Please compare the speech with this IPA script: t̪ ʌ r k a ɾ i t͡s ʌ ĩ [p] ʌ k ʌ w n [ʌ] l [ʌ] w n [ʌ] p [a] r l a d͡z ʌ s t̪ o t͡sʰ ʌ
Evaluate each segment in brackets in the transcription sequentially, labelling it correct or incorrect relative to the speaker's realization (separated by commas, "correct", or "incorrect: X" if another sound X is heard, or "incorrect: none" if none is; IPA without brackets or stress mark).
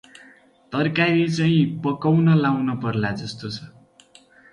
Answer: correct, correct, incorrect: a, correct, incorrect: ʌ